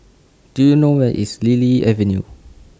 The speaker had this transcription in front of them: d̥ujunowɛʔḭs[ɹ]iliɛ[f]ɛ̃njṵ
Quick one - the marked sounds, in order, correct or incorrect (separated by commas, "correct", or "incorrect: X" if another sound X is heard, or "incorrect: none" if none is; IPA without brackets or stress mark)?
incorrect: l, incorrect: v